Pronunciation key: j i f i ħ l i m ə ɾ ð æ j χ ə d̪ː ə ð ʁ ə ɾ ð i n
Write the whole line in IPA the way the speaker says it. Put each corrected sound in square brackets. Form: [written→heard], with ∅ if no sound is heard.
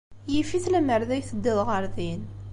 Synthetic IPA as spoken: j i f i [ħ→θ] l [i→æ] m ə ɾ ð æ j [χ→θ] ə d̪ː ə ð ʁ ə ɾ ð i n